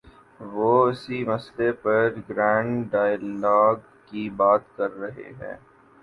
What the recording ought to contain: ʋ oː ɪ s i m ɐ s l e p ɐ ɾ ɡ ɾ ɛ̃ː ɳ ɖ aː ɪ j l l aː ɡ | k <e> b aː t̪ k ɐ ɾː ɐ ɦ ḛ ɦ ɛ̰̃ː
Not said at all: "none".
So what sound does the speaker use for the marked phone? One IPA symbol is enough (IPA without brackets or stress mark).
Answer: i